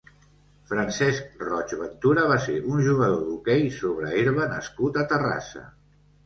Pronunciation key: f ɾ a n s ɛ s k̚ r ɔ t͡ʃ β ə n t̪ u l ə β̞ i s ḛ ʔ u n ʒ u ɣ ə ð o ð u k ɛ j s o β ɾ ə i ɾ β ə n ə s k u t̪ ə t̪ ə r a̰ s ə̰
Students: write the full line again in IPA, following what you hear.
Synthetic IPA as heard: f ɾ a n s ɛ s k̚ r ɔ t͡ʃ β ə n t̪ u ɾ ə β̞ a s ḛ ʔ u n ʒ u ɣ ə ð o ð u k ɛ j s o β ɾ ə i ɾ β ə n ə s k u t̪ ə t̪ ə r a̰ s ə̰

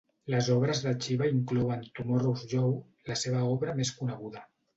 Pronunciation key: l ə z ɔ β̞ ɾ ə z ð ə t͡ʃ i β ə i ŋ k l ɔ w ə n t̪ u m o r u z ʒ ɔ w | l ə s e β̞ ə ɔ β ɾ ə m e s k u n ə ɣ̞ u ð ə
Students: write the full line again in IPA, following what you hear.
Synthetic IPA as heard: l ə z ɔ β̞ ɾ ə z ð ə t͡ʃ i β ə i ŋ k l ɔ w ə n t̪ u m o r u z ʒ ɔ w | l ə s e β̞ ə ɔ β ɾ ə m e s k u n ə ɣ̞ u ð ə

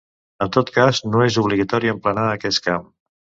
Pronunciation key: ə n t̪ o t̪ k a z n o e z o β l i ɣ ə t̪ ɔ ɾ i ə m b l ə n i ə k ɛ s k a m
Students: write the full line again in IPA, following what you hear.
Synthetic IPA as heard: ə n t̪ o t̪ k a z n o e z u β l i ɣ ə t̪ ɔ ɾ i ə m p l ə n a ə k ɛ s k a m

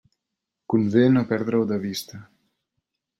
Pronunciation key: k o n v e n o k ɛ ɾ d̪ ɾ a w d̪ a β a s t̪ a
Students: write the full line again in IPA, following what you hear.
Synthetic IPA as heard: k u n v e n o p ɛ ɾ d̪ ɾ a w d̪ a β i s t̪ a

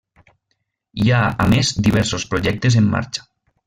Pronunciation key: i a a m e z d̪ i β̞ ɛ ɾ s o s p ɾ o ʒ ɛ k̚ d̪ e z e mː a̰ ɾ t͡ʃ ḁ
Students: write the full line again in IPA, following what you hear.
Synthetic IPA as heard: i a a m e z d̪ i β̞ ɛ ɾ s o s p ɾ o ʒ ɛ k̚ t̪ e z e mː a̰ ɾ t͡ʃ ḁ

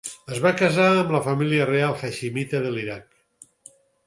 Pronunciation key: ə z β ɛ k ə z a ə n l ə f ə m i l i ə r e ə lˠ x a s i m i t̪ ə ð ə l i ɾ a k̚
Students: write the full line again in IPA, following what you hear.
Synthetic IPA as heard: ə z β a k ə z a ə m l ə f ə m i l i ə r e a lˠ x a ʃ i m i t̪ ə ð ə l i ɾ a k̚

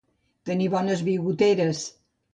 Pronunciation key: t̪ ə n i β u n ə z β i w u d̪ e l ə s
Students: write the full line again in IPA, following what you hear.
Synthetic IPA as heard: t̪ ə n i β ɔ n ə z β i ɣ u t̪ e ɾ ə s

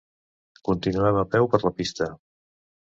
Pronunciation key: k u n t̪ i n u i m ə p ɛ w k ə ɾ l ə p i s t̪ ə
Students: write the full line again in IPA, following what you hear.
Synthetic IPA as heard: k u n t̪ i n u ɛ m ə p ɛ w p ə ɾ l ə p i s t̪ ə

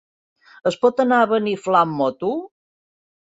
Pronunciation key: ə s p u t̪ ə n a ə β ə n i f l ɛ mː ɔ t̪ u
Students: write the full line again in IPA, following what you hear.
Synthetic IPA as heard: ə s p ɔ t̪ ə n a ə β ə n i f l a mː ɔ t̪ u

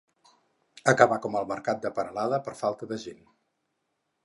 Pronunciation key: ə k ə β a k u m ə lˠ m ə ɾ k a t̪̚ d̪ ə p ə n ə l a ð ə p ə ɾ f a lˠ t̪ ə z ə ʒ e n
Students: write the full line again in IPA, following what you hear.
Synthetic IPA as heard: ə k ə β a k ɔ m ə lˠ m ə ɾ k a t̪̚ d̪ ə p ə n ə l a ð ə p ə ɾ f a lˠ t̪ ə ð ə ʒ e n

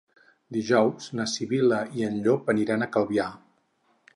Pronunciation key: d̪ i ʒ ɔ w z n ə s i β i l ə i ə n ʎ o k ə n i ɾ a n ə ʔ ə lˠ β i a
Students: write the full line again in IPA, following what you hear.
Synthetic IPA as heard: d̪ i ʒ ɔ w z n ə s i β i l ə i ə n ʎ o p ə n i ɾ a n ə k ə lˠ β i a

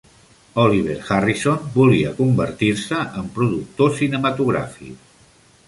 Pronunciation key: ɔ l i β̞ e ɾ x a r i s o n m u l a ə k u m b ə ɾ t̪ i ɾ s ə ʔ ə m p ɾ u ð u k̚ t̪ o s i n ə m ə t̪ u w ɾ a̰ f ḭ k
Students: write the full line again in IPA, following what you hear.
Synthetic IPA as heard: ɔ l i β̞ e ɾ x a r i s o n b u l i ə k u m b ə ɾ t̪ i ɾ s ə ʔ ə m p ɾ u ð u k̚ t̪ o s i n ə m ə t̪ u ɣ ɾ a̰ f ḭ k

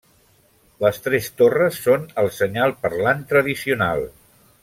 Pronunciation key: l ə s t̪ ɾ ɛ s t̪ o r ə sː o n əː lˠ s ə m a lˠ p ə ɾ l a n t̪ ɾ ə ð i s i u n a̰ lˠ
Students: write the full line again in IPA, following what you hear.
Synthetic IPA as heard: l ə s t̪ ɾ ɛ s t̪ o r ə sː o n ə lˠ s ə ɲ a lˠ p ə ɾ l a n t̪ ɾ ə ð i s i u n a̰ lˠ

